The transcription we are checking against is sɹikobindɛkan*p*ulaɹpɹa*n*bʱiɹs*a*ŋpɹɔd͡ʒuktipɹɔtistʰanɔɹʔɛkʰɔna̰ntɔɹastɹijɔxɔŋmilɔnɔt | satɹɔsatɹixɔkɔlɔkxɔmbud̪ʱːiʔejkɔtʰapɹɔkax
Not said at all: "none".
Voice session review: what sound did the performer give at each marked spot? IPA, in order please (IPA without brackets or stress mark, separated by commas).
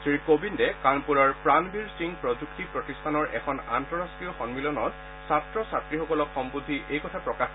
p, n, i